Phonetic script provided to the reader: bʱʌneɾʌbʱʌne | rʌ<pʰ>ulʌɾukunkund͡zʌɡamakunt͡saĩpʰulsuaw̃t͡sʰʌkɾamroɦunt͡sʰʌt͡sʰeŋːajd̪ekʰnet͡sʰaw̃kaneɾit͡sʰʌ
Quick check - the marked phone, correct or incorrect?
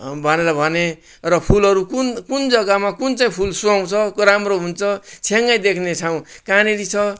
correct